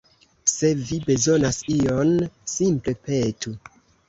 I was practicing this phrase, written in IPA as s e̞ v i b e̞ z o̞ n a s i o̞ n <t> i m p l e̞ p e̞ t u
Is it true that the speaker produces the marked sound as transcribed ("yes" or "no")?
no